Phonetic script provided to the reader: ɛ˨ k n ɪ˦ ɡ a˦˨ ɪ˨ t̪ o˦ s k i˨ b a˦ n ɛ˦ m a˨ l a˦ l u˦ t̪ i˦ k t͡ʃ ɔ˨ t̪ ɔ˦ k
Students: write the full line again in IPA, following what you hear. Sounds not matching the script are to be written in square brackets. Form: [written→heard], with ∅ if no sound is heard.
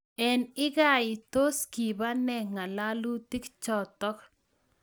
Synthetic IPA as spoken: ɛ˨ [k→∅] n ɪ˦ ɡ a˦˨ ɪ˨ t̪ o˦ s k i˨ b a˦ n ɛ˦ [m→ŋ] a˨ l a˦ l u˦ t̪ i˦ k t͡ʃ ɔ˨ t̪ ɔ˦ k